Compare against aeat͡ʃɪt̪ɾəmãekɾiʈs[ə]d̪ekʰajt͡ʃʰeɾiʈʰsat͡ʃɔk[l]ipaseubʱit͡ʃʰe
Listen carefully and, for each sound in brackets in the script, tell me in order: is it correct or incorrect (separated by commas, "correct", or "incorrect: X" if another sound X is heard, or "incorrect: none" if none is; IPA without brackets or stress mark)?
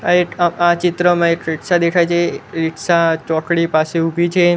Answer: incorrect: a, incorrect: ɽ